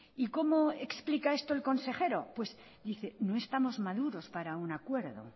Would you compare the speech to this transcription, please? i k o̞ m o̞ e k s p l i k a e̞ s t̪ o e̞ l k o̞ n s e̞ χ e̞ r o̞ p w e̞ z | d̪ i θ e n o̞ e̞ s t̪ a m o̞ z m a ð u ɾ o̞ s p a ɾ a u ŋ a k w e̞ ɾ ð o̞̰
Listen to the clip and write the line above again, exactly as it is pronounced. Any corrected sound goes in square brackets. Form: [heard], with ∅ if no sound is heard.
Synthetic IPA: i k o̞ m o̞ e k s p l i k a e̞ s t̪ o e̞ l k o̞ n s e̞ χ e̞ [ɾ] o̞ p w e̞ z | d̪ i θ e n o̞ e̞ s t̪ a m o̞ z m a ð u ɾ o̞ s p a ɾ a u [n] a k w e̞ ɾ ð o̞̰